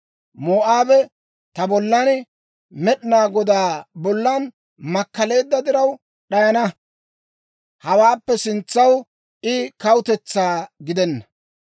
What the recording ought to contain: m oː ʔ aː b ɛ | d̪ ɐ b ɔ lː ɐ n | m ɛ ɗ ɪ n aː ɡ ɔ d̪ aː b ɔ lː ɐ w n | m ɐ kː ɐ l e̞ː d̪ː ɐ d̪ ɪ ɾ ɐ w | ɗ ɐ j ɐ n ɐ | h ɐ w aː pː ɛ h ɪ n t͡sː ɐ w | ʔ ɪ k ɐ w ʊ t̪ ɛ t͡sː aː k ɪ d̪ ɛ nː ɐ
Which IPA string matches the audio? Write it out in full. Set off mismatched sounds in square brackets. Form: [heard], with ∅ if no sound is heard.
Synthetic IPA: m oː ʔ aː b ɛ | [t̪] ɐ b ɔ lː ɐ n | m ɛ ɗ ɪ n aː ɡ ɔ d̪ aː b ɔ lː ɐ [∅] n | m ɐ kː ɐ l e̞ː d̪ː ɐ d̪ ɪ ɾ ɐ w | ɗ ɐ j ɐ n ɐ | h ɐ w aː pː ɛ [s] ɪ n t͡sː ɐ w | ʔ ɪ k ɐ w ʊ t̪ ɛ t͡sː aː [ɡ] ɪ d̪ ɛ nː ɐ